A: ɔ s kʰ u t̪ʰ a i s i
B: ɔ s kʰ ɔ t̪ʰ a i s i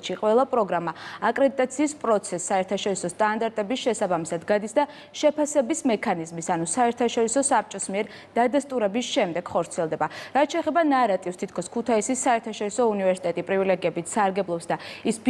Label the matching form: A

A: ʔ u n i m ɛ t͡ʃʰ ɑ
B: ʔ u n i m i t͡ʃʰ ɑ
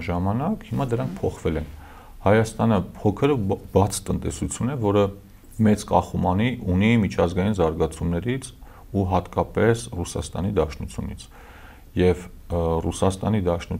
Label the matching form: B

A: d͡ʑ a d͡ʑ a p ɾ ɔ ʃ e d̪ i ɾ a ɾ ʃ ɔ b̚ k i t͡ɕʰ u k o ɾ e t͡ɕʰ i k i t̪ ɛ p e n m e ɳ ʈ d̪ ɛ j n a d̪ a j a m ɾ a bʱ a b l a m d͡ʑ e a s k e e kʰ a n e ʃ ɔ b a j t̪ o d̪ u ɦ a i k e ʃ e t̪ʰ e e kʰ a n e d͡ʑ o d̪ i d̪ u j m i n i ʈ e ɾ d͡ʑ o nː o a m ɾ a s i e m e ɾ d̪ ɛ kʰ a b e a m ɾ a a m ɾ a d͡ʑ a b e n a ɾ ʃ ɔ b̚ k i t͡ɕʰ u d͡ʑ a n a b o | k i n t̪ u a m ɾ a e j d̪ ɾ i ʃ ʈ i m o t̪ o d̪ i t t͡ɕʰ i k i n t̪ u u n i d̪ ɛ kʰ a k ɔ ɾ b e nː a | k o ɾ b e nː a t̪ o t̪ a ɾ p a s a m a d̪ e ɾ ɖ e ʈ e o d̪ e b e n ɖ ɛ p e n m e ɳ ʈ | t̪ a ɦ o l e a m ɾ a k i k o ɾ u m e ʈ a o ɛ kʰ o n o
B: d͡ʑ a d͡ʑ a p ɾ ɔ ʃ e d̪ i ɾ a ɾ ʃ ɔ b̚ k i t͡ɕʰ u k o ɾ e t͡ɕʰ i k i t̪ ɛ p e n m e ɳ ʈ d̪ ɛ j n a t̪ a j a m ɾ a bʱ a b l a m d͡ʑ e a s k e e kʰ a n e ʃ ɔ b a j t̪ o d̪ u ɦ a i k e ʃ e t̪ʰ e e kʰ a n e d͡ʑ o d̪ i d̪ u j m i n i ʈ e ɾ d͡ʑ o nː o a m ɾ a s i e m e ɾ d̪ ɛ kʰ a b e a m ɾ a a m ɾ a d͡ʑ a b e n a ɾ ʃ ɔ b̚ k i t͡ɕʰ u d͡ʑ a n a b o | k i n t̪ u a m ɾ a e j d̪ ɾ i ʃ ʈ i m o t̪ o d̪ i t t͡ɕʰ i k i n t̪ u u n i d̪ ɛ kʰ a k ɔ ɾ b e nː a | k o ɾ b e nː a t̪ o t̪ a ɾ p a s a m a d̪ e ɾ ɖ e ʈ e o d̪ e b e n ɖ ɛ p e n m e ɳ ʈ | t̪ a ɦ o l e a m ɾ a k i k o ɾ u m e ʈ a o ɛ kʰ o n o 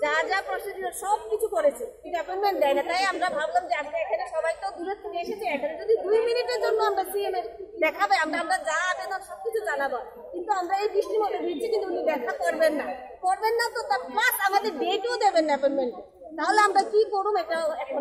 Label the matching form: B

